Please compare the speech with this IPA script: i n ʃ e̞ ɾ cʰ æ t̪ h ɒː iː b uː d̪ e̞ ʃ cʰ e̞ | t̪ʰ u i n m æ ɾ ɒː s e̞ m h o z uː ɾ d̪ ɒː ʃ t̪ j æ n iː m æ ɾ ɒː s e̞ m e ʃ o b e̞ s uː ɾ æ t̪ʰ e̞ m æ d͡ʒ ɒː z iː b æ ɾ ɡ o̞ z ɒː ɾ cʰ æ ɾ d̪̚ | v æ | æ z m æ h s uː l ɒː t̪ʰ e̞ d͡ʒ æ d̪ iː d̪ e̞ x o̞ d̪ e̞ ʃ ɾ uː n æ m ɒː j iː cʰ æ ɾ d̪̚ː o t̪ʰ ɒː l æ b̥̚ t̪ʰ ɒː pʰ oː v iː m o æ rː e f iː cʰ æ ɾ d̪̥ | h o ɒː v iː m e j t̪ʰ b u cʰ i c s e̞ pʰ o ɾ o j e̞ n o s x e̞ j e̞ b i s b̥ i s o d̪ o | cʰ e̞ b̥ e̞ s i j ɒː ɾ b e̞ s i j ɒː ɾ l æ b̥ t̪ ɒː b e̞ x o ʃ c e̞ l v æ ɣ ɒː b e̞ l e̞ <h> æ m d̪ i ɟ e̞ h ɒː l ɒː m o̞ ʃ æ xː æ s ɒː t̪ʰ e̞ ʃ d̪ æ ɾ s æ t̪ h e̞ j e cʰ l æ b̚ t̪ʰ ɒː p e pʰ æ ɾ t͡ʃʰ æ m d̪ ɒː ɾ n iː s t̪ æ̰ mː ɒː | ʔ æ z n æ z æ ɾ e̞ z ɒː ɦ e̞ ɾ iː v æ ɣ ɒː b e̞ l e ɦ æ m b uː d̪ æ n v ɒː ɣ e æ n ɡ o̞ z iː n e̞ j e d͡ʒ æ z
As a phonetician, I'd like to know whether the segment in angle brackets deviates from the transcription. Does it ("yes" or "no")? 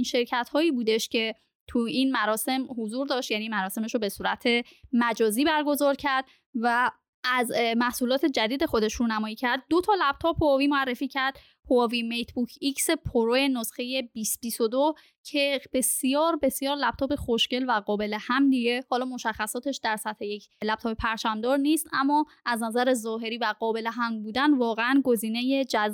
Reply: no